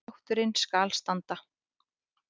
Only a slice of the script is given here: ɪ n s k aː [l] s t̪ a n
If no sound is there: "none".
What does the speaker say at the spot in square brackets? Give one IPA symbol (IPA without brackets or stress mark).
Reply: l